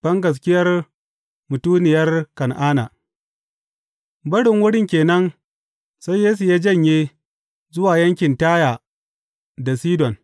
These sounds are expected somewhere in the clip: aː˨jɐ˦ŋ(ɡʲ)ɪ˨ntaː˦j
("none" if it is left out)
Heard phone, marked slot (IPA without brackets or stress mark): kʲ